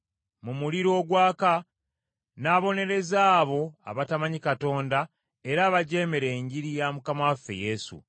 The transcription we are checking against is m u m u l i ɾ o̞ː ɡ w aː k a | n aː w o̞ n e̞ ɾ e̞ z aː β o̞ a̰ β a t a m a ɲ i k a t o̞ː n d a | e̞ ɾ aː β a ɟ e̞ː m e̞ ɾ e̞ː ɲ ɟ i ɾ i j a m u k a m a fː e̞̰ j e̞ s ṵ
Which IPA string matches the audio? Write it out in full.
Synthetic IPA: m u m u l i ɾ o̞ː ɡ w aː k a | n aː β o̞ n e̞ ɾ e̞ z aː β o̞ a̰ β a t a m a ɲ i k a t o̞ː n d a | e̞ ɾ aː β a ɟ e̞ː m e̞ ɾ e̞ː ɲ ɟ i ɾ i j a m u k a m a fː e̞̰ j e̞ s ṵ